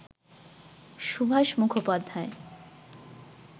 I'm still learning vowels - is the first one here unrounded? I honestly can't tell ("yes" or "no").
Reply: no